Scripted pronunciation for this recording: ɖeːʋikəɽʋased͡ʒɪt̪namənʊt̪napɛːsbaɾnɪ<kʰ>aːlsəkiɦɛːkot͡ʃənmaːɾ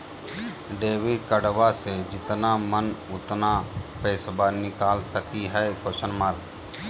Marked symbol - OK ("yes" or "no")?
no